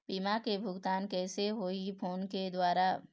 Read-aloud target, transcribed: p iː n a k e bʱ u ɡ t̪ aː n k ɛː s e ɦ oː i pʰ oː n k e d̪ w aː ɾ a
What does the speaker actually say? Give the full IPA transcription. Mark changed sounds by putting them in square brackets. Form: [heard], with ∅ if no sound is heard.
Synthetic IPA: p iː [m] a k e bʱ [ʊ] ɡ t̪ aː n k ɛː s e ɦ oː i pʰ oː n k e d̪ w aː ɾ a